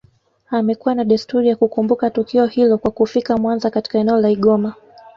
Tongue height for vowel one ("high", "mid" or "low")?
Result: low